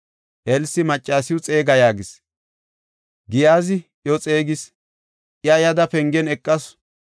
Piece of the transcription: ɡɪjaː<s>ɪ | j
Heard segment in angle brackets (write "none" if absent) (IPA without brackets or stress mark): z